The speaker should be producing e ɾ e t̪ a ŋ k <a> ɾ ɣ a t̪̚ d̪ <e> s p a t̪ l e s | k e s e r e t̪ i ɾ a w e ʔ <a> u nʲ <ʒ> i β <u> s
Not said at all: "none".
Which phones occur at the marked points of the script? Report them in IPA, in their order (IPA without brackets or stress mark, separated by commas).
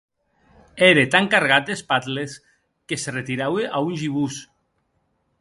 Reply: a, e, a, ʒ, u